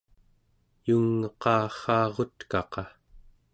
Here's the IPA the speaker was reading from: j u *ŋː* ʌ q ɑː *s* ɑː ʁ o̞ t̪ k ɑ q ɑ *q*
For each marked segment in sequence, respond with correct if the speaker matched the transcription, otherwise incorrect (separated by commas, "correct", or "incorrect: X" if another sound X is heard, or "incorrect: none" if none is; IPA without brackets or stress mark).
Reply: correct, incorrect: χ, incorrect: none